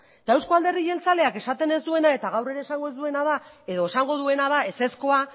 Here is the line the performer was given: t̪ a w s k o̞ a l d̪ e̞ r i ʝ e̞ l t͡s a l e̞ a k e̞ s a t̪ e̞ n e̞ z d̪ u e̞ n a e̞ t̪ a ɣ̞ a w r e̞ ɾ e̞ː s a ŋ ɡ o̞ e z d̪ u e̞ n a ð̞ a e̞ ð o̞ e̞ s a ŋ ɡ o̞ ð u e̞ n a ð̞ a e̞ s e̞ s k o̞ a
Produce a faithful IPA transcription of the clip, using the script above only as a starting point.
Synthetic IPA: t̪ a w s k o̞ a l d̪ e̞ r i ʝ e̞ l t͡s a l e̞ a k e̞ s a t̪ e̞ n e̞ z d̪ u e̞ n a e̞ t̪ a ɣ̞ a w r e̞ ɾ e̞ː s a ŋ ɡ o̞ e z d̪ u e̞ n a ð̞ a e̞ ð o̞ e̞ s a ŋ ɡ o̞ ð u e̞ n a ð̞ a e̞ s e̞ s k o̞ a